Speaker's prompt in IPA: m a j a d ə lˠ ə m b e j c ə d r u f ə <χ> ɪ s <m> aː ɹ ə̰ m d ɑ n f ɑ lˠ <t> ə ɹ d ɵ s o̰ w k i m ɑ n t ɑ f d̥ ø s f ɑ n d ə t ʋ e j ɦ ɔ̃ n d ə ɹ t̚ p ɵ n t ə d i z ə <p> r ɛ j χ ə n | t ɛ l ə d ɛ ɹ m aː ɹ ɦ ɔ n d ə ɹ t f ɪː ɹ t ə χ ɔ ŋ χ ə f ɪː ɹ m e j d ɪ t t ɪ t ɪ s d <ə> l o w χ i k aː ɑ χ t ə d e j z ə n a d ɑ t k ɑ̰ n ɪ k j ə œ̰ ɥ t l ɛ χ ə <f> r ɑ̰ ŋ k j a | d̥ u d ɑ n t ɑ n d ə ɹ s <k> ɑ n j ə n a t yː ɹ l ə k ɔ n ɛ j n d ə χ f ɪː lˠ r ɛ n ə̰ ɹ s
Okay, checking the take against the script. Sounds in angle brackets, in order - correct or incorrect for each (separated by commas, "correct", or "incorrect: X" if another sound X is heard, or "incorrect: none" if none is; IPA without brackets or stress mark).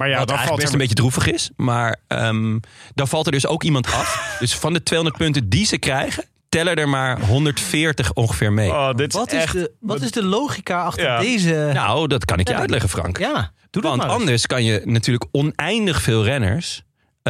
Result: correct, correct, correct, incorrect: k, correct, correct, correct